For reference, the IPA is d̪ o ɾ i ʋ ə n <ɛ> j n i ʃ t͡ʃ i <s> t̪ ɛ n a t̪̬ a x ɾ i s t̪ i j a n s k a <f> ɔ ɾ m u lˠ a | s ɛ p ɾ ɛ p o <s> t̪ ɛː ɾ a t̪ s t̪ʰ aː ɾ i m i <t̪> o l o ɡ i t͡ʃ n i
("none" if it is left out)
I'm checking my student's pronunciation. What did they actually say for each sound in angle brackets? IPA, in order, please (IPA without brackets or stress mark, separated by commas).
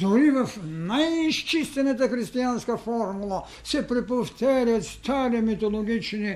a, s, f, f, t̪